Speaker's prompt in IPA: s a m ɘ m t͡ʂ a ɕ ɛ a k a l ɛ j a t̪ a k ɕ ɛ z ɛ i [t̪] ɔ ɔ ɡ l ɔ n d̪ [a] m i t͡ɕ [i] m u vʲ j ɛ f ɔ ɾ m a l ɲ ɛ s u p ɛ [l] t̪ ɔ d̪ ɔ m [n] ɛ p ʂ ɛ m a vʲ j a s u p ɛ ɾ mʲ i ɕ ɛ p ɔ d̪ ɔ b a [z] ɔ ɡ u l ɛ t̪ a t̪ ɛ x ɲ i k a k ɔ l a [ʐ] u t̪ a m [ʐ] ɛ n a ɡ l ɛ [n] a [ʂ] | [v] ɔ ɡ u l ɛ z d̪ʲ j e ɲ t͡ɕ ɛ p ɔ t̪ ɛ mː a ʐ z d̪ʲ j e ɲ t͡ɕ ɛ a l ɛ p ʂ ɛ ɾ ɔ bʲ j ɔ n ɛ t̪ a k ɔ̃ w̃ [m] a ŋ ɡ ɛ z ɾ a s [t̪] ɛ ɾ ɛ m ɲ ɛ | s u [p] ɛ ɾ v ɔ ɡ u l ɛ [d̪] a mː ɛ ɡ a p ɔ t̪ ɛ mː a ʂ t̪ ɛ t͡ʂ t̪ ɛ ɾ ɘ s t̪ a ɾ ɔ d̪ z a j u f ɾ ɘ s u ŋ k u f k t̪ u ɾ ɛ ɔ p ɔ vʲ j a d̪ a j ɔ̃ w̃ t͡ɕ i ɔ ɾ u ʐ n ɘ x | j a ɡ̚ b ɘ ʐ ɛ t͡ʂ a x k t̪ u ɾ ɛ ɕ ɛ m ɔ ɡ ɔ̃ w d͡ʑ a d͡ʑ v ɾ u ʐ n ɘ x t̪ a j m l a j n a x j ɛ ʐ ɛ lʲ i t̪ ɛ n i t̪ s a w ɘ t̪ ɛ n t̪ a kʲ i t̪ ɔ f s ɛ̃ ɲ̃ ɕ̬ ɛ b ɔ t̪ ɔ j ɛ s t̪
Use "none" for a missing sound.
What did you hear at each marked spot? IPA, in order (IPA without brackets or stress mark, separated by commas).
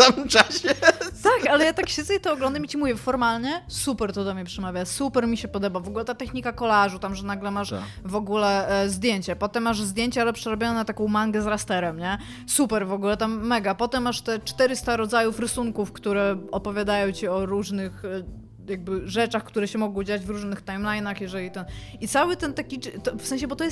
t̪, a, i, ɾ, ɲ, v, ʐ, ʐ, m, ʂ, v, m, t̪, p, t̪